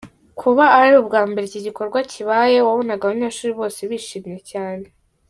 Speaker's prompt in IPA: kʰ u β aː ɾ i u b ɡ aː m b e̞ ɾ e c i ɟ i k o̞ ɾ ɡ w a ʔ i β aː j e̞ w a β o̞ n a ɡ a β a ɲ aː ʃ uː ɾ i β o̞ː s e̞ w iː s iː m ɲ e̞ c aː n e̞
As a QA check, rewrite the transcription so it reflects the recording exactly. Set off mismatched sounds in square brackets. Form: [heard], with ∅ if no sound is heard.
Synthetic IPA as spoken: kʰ u β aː ɾ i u b ɡ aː m b e̞ ɾ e c i ɟ i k o̞ ɾ ɡ w a [c] i β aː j e̞ w a β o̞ n a ɡ a β a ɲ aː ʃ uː ɾ i β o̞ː s e̞ [β] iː [ʃ] iː m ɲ e̞ c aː n e̞